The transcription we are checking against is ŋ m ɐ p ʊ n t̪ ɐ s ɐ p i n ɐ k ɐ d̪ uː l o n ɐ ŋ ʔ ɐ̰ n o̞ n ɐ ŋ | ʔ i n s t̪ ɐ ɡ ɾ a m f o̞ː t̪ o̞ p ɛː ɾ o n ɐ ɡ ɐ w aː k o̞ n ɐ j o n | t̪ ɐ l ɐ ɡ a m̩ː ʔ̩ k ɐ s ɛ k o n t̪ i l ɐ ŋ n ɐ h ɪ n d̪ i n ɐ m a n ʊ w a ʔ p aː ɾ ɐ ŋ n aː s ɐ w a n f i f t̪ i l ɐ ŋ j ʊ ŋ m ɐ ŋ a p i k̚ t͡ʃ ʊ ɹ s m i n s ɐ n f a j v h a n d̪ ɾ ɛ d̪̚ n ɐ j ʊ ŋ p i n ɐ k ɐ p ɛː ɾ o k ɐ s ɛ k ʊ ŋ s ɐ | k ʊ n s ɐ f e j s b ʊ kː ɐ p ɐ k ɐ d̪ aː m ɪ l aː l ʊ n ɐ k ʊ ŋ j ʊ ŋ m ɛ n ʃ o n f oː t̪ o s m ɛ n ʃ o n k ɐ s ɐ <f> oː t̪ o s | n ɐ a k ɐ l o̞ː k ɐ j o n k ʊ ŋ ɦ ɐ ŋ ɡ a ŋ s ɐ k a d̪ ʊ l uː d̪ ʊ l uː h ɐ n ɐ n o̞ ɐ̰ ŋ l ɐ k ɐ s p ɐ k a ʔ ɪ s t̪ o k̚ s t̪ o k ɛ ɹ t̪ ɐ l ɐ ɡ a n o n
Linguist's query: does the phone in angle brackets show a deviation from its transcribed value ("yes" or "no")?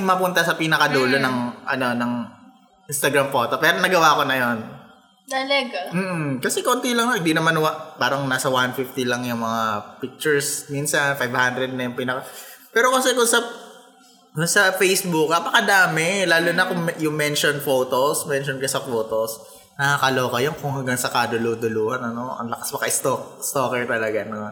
no